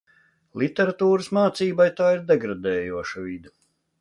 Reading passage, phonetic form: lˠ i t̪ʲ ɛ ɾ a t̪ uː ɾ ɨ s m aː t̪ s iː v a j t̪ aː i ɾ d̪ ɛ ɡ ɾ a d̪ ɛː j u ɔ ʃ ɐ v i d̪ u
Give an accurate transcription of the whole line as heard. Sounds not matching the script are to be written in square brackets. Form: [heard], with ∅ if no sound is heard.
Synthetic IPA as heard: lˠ i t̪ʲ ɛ ɾ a t̪ uː ɾ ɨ s m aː t̪ s iː [b] a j t̪ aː i ɾ d̪ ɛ ɡ ɾ a d̪ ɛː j u ɔ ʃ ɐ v i d̪ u